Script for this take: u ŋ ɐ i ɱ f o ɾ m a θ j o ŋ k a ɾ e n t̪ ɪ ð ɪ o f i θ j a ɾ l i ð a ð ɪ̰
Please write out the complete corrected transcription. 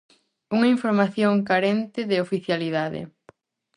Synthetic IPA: u ŋ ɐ i ɱ f o ɾ m a θ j o ŋ k a ɾ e n t̪ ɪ ð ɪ o f i θ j a l i ð a ð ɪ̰